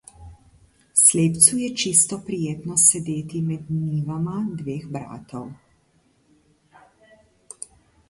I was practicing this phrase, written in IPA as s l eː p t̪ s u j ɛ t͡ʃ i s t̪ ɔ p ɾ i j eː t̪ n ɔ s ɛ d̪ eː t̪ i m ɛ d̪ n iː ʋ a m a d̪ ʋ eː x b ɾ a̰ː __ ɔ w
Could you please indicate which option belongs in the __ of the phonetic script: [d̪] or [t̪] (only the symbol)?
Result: t̪